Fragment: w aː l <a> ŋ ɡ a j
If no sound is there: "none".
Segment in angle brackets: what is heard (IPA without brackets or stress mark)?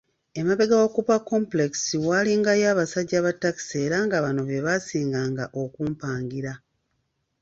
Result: i